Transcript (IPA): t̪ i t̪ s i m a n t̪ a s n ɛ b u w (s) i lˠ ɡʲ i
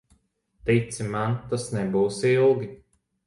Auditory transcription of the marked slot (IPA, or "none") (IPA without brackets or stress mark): s